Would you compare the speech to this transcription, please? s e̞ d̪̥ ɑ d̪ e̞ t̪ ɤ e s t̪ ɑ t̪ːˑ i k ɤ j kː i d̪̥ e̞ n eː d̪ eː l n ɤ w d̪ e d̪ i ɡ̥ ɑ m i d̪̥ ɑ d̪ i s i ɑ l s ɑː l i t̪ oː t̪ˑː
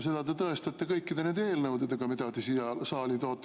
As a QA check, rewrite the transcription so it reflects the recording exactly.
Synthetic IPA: s e̞ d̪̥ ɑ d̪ e̞ t̪ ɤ e s t̪ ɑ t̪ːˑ e k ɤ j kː i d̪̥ e̞ n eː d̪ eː l n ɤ w d̪ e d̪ e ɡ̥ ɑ m i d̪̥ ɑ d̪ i s i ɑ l s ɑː l i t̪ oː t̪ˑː